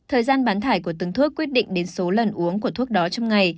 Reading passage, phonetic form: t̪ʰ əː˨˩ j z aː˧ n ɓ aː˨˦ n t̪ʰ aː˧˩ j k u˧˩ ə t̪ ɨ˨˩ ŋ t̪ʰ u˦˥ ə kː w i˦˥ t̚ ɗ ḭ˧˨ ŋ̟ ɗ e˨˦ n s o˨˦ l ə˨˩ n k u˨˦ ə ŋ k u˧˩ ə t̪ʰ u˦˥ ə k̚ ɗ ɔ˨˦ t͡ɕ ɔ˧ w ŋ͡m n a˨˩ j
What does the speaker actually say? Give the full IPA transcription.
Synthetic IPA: t̪ʰ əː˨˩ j z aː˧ n ɓ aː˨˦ n t̪ʰ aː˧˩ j k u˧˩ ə t̪ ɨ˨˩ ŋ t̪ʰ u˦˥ ə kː w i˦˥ t̚ ɗ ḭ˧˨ ŋ̟ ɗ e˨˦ n s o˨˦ l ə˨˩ n ʔ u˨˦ ə ŋ k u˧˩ ə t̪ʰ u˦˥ ə k̚ ɗ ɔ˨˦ t͡ɕ ɔ˧ w ŋ͡m ŋ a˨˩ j